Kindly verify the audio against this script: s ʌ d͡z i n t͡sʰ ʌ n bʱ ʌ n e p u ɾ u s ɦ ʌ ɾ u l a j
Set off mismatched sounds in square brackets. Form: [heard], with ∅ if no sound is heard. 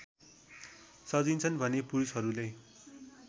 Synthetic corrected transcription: s ʌ d͡z i n t͡sʰ ʌ n bʱ ʌ n e p u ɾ u s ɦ ʌ ɾ u l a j